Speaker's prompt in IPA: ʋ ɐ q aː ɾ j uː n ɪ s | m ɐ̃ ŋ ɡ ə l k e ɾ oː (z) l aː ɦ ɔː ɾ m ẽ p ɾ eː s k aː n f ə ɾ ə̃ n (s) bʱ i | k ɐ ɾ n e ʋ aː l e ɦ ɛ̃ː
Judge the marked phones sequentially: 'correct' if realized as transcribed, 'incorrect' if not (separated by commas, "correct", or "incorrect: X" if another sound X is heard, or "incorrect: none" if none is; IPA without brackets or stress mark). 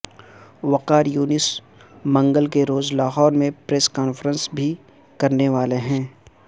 correct, correct